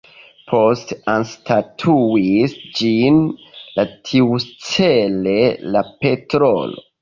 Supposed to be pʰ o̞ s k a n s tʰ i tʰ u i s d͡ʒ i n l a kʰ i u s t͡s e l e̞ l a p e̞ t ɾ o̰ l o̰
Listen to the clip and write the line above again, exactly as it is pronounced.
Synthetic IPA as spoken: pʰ o̞ s t a n s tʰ a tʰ u i s d͡ʒ i n l a tʰ i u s t͡s e l e̞ l a p e̞ t ɾ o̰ l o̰